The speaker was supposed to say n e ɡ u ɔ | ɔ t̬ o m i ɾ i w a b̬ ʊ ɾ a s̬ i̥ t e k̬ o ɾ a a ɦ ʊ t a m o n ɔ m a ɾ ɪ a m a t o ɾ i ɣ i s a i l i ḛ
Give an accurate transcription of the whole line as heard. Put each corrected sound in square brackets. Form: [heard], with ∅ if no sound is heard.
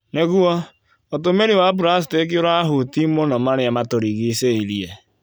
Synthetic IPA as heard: n e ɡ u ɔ | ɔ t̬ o m [e] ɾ i w a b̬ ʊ ɾ a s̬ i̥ t e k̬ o ɾ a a ɦ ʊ t [i] m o n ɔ m a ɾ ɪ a m a t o ɾ i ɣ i s [e] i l i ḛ

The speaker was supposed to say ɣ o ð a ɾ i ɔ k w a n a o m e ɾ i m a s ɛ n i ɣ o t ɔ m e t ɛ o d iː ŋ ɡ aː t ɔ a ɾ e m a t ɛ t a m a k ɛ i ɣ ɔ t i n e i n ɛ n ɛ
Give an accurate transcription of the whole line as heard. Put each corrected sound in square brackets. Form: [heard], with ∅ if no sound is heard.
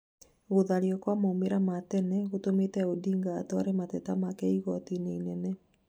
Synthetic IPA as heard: ɣ o ð a ɾ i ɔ k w a [m] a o m e ɾ [a] m a [t] ɛ n [ɛ] ɣ o t [o] m e t ɛ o d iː ŋ ɡ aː t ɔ a ɾ e m a t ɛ t a m a k ɛ i ɣ ɔ t i n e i n ɛ n ɛ

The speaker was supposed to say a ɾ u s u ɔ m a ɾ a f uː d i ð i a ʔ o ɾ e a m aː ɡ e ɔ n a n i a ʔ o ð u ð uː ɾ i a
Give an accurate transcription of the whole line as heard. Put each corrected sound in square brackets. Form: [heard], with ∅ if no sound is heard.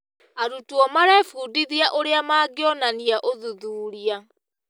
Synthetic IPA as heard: a ɾ u [t] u ɔ m a ɾ [ɛ] f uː d i ð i a ʔ o ɾ e a m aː ɡ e ɔ n a n i a ʔ o ð u ð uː ɾ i a

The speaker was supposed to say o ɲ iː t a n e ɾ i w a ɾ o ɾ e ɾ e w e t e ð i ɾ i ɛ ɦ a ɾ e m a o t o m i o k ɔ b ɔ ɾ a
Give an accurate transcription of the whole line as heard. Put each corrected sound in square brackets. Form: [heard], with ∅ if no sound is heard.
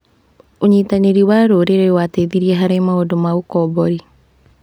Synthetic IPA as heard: o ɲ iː t a n e ɾ i w a ɾ o ɾ e ɾ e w [a] t e ð i ɾ i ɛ ɦ a ɾ e m a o [d] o m [a] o k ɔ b ɔ ɾ [i]

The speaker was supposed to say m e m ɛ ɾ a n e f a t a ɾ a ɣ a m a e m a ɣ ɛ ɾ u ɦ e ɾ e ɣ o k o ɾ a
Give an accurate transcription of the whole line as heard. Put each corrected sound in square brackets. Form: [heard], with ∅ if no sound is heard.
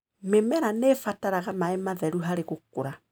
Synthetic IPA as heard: m e m ɛ ɾ a n e f a t a ɾ a ɣ a m a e m a [ð] ɛ ɾ u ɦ [a] ɾ e ɣ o k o ɾ a

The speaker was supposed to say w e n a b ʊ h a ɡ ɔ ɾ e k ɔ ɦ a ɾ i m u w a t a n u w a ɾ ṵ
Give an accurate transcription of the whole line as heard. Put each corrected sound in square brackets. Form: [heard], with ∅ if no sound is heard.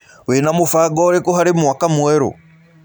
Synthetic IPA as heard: w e n a [m] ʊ [f] a ɡ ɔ ɾ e k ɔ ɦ a ɾ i m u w a [k] a [m] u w [ɛ] ɾ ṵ

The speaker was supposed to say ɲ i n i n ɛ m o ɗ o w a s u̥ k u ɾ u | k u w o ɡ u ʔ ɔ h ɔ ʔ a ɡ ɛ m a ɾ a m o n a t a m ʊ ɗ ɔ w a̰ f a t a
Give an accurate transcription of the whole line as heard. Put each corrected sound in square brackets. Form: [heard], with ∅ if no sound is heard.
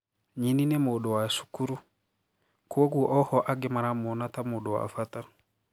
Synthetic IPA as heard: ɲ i n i n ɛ m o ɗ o w a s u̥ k u ɾ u | k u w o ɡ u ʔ ɔ h ɔ ʔ a ɡ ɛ m a ɾ a m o n a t a m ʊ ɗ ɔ w a̰ f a t a

